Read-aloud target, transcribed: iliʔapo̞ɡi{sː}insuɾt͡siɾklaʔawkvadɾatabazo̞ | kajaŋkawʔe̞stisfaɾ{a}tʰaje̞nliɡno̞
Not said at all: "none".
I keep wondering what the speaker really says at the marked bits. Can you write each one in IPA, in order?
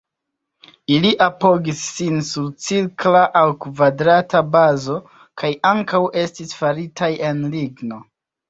sː, i

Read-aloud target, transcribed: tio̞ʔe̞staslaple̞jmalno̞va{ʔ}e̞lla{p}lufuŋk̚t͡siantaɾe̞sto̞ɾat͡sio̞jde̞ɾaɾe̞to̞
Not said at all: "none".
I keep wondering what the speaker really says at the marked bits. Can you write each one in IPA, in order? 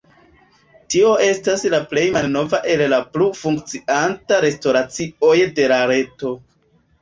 ʔ, p

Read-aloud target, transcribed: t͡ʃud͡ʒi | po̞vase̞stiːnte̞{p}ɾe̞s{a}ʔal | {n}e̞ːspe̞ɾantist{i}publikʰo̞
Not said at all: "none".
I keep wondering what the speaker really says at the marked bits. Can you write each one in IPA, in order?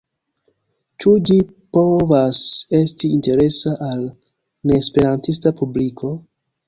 none, a, n, a

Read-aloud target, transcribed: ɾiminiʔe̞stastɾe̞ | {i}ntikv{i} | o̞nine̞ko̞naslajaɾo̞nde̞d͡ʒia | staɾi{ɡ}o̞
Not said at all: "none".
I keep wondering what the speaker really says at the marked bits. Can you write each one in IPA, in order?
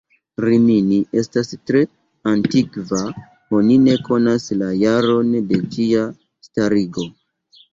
a, a, ɡ

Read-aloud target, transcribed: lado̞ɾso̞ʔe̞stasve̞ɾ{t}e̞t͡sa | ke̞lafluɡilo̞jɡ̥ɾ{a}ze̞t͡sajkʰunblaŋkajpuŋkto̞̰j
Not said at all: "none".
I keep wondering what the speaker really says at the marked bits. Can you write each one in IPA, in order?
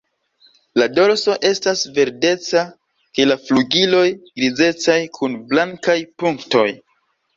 d, i

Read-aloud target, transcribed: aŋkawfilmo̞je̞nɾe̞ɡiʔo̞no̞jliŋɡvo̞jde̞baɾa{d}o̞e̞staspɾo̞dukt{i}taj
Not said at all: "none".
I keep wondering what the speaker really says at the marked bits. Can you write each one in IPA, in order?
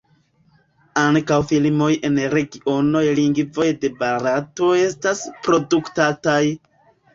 t, a

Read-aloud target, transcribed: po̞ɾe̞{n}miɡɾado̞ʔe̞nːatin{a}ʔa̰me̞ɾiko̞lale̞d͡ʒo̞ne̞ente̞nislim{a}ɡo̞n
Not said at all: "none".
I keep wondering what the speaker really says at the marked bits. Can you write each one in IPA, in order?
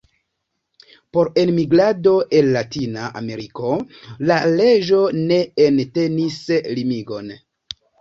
n, a, i

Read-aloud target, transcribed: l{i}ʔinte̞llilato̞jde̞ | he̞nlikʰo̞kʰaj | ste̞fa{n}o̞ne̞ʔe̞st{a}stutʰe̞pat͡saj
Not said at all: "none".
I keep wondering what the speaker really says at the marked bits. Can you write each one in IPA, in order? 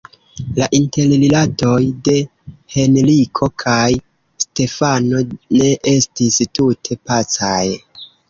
a, n, i

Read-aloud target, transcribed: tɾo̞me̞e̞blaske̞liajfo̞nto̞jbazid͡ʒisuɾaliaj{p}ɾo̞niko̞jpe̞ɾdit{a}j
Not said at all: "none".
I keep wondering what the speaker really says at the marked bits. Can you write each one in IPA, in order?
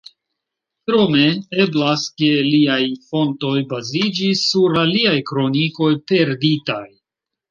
k, a

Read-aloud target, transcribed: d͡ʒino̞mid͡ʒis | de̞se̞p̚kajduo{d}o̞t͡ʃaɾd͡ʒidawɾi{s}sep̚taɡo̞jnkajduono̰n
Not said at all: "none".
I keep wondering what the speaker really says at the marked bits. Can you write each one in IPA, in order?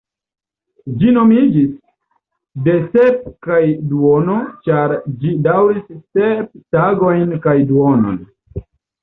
n, s

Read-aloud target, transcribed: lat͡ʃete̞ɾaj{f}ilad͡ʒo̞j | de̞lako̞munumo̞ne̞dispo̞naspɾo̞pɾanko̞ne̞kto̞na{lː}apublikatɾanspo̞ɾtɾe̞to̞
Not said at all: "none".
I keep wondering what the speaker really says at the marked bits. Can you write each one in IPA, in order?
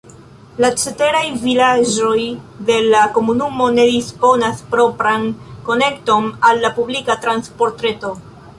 v, lː

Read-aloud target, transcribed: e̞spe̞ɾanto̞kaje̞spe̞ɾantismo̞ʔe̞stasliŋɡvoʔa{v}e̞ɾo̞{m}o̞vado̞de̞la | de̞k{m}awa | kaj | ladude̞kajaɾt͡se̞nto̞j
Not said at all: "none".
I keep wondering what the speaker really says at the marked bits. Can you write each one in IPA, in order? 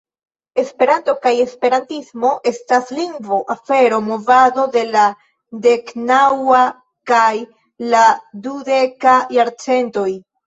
f, m, n

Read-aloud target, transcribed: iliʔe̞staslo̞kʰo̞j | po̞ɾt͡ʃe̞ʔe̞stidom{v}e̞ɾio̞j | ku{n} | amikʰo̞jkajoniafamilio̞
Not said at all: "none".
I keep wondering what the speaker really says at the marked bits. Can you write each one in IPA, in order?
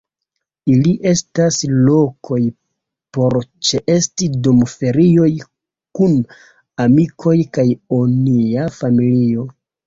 f, n

